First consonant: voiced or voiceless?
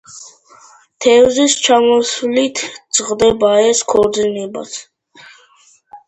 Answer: voiceless